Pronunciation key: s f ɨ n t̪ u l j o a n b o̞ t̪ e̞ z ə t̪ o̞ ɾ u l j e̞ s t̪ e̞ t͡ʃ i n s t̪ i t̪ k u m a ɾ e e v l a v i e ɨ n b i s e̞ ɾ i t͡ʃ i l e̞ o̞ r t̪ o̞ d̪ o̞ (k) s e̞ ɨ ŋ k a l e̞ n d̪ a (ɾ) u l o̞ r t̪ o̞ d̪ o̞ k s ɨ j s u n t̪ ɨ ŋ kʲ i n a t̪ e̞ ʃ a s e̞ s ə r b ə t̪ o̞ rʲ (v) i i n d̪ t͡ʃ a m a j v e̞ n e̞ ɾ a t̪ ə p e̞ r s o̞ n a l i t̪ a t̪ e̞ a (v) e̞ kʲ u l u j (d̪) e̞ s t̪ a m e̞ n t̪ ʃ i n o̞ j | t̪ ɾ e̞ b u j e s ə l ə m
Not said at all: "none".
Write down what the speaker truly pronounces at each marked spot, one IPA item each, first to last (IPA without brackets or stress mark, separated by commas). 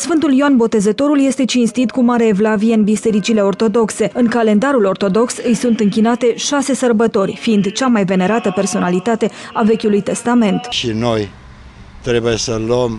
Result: k, ɾ, f, v, t̪